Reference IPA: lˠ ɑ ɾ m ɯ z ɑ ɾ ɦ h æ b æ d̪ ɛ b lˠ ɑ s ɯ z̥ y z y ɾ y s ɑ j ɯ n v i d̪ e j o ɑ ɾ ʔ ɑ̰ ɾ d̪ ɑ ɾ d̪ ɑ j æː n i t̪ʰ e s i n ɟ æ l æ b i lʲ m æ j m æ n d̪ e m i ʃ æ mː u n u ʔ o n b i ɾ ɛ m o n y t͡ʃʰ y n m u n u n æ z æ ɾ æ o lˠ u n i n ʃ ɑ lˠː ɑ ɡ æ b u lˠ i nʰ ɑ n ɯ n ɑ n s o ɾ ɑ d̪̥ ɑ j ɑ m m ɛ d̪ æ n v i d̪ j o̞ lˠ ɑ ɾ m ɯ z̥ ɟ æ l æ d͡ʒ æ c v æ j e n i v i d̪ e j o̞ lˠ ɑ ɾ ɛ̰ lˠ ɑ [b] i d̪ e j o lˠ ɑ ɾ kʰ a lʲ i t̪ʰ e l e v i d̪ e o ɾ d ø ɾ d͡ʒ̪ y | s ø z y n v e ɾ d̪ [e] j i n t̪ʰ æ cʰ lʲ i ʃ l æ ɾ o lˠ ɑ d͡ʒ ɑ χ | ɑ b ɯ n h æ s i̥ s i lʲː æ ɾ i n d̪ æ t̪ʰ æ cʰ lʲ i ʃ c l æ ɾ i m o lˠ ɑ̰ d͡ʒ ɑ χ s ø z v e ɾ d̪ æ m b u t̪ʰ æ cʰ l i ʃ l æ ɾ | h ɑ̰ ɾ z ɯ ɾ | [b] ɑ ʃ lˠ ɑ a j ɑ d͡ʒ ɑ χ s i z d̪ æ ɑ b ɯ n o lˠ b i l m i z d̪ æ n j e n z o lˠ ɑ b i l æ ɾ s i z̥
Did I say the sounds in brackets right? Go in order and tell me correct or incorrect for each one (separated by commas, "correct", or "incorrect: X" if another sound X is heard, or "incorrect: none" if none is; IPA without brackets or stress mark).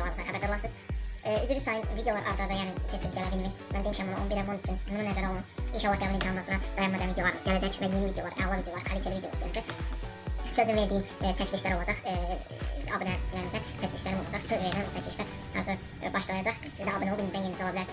incorrect: v, incorrect: i, correct